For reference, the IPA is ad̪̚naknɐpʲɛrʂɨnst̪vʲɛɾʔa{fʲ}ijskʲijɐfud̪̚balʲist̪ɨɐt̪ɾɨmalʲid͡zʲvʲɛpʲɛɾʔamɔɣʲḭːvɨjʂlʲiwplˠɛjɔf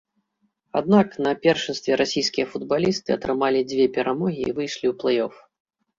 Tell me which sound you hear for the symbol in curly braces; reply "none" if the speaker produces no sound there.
sʲ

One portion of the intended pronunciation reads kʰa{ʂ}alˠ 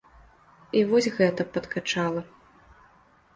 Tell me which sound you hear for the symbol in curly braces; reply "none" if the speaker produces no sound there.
t͡ʂ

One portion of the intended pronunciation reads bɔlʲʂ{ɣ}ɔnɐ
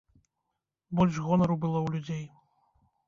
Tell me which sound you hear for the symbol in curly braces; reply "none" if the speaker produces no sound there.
ɣ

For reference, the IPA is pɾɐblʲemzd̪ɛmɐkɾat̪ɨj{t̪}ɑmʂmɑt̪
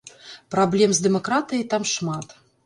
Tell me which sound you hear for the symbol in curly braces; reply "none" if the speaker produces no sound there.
t̪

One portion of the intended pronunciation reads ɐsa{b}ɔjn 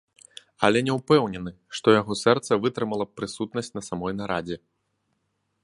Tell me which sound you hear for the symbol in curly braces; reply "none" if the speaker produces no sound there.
m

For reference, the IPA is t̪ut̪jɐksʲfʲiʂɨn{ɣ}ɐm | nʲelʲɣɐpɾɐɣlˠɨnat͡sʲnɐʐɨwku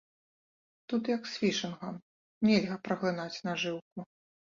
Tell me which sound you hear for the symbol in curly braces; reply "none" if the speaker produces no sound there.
ɣ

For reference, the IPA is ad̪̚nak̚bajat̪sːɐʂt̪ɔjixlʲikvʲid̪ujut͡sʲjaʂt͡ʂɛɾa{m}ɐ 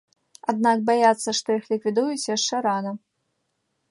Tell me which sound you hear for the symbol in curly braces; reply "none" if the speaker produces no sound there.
n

